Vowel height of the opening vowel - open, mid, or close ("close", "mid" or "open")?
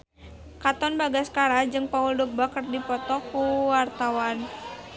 open